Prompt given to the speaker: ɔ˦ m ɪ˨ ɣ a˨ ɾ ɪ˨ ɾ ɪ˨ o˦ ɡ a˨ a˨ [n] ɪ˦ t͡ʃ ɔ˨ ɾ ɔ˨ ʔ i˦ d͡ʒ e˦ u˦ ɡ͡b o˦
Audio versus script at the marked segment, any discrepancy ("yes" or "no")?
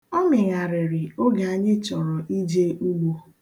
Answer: yes